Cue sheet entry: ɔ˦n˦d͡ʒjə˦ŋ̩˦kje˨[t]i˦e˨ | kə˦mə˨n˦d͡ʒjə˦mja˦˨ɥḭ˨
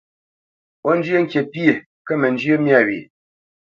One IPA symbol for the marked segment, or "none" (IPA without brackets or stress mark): p